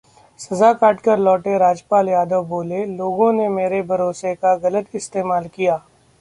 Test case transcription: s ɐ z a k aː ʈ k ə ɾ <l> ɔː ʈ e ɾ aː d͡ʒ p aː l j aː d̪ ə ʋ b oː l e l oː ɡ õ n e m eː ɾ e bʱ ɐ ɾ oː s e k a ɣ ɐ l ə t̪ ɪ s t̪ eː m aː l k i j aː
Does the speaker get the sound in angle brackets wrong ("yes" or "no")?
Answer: no